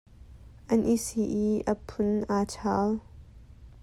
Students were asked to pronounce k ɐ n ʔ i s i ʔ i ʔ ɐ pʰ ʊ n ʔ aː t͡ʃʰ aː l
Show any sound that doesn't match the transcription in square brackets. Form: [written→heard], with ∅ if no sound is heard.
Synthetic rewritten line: [k→ʔ] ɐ n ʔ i s i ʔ i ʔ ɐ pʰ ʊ n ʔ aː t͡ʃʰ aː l